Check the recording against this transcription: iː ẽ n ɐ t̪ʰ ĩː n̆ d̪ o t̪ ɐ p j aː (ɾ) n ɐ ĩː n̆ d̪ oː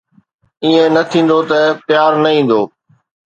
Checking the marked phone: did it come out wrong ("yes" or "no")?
no